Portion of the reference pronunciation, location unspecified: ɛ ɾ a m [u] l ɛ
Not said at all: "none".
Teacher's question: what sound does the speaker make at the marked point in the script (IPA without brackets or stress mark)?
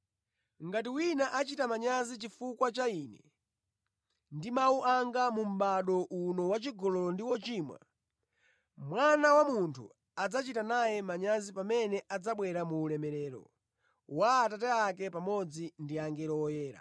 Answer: uː